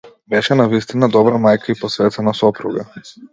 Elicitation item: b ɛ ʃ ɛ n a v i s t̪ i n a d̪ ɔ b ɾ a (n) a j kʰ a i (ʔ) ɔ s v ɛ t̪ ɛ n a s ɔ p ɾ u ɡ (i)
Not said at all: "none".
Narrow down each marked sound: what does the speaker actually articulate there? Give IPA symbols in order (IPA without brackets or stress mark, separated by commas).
m, p, a